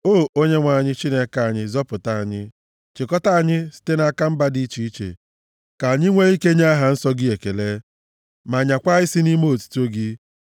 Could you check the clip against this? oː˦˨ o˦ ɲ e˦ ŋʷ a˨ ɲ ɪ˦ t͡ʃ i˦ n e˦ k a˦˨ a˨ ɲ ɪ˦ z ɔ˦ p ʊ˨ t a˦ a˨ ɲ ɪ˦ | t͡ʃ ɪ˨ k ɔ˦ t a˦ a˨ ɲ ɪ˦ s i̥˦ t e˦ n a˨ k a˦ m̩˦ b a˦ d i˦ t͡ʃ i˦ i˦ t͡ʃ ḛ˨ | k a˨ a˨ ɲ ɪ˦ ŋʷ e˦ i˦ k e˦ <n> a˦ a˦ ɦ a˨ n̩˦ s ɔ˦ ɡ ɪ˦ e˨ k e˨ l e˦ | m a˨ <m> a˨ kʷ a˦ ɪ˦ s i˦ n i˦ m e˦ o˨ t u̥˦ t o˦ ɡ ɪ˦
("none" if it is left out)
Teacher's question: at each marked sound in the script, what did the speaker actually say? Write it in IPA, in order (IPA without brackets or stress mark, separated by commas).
ɲ, ɲ